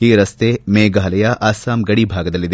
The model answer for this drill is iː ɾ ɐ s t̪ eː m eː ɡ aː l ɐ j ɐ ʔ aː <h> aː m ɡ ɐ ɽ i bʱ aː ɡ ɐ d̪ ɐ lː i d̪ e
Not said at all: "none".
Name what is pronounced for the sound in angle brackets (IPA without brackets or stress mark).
s